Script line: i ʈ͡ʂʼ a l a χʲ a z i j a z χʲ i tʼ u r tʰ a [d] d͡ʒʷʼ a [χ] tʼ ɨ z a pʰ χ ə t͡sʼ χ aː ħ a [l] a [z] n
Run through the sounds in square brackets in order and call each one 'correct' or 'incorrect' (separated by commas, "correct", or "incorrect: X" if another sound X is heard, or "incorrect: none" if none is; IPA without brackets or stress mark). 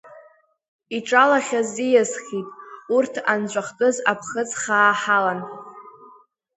incorrect: n, correct, correct, incorrect: none